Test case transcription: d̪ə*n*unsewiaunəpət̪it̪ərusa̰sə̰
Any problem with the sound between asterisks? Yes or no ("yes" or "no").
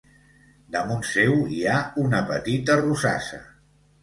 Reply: yes